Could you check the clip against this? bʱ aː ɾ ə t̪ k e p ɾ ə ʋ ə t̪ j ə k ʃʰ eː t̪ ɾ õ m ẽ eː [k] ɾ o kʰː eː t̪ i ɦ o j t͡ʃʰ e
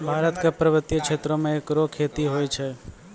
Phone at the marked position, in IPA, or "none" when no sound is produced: k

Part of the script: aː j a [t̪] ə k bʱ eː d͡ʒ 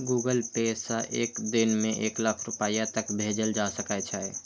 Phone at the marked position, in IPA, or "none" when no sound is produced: t̪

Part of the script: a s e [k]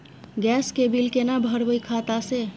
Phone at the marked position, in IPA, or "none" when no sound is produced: none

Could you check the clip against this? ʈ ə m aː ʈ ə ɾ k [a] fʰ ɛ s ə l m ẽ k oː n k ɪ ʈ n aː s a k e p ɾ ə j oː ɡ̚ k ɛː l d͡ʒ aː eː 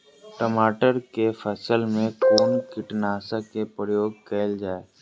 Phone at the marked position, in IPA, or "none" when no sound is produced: e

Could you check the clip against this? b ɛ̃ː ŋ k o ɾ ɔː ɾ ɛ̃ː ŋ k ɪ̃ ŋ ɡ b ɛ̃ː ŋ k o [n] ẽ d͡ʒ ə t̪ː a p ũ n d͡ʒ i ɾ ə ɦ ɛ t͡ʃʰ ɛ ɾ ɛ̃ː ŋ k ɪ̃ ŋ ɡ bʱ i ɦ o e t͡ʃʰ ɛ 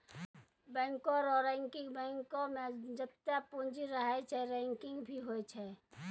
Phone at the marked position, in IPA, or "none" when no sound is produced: m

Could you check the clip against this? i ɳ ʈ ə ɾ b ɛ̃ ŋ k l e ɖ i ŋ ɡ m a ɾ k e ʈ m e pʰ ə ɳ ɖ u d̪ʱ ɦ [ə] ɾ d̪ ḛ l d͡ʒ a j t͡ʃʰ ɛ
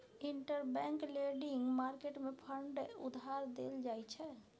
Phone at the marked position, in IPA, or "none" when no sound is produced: a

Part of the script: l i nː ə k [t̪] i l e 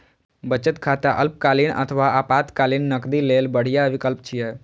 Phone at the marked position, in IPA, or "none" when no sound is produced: d̪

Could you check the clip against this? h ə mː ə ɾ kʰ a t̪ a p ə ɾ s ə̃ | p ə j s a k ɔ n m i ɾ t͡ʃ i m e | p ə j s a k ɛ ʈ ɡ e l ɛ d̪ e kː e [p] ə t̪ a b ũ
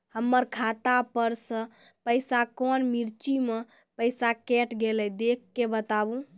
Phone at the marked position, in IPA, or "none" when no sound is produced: b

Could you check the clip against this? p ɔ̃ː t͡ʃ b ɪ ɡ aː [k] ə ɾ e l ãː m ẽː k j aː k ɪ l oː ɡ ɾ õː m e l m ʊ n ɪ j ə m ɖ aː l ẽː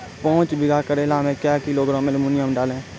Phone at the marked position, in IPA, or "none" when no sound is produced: k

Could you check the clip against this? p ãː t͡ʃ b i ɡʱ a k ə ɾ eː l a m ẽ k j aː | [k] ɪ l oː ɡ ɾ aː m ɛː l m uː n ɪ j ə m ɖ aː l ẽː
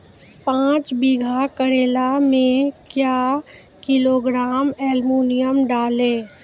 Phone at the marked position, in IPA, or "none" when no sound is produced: k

